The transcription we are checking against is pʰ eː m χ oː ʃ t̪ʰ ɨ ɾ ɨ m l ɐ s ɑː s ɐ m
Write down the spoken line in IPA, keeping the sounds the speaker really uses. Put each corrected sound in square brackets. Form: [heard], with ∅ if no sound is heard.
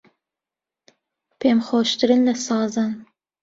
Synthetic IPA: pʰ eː m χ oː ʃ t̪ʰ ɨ ɾ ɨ [n] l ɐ s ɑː [z] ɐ [n]